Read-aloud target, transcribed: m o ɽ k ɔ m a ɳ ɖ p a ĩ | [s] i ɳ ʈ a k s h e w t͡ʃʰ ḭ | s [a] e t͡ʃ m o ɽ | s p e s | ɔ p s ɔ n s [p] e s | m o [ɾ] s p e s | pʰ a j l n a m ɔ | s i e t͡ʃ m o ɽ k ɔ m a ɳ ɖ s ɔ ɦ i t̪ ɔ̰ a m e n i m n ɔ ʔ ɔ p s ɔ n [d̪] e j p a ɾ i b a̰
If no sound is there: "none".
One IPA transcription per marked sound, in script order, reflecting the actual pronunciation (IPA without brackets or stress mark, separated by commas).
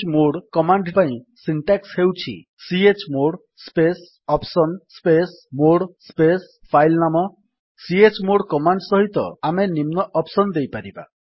s, i, p, ɽ, d̪